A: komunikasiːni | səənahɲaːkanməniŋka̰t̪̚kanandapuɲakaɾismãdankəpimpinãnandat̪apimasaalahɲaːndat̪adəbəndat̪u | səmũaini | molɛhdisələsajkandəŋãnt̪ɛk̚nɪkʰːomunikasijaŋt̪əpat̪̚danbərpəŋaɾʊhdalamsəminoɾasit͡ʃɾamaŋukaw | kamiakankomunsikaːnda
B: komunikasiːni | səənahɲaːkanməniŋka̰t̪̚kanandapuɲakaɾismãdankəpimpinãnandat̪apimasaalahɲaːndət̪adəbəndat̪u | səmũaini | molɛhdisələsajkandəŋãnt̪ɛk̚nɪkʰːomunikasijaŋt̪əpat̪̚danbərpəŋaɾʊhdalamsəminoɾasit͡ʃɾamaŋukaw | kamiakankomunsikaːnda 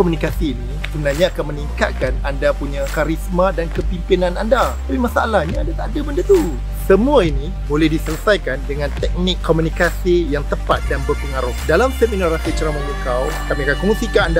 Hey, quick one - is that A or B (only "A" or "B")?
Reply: A